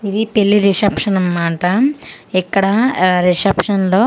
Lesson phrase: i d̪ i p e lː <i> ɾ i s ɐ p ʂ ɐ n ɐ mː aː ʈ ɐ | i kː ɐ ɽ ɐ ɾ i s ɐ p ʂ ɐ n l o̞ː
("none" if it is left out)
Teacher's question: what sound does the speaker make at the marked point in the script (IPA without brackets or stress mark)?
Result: i